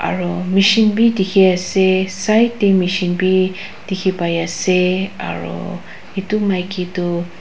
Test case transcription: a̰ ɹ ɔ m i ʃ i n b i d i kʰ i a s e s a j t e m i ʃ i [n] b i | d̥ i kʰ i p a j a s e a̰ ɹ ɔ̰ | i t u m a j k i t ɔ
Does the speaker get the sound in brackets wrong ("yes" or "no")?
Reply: no